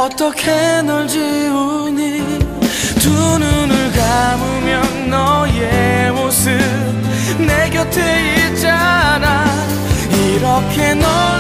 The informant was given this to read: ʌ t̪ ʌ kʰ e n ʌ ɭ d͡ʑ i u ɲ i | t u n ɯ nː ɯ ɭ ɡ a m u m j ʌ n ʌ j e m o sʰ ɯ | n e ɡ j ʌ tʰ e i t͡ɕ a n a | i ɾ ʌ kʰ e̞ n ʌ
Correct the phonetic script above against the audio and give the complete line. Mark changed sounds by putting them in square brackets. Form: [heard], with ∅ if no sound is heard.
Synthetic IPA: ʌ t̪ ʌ kʰ e n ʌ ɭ d͡ʑ i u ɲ i | t u n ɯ [n] ɯ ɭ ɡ a m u m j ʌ [nː] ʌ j e m o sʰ ɯ | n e ɡ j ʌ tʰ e i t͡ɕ a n a | i ɾ ʌ kʰ e̞ n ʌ